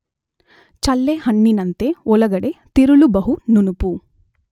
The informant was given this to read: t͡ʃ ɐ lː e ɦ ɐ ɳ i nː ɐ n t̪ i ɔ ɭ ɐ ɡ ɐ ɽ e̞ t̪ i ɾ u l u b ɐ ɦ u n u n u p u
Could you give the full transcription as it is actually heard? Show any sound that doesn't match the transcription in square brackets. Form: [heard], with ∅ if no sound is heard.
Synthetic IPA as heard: t͡ʃ ɐ lː e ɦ ɐ [ɳː] i [n] ɐ n t̪ [e] ɔ [l] ɐ ɡ ɐ ɽ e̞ t̪ i ɾ u l u b ɐ ɦ u n u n u p u